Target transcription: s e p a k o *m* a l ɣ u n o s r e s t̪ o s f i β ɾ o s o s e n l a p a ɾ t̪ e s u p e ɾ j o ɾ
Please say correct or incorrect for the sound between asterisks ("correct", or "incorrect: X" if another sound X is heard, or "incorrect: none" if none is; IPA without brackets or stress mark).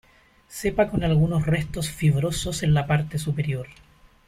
incorrect: n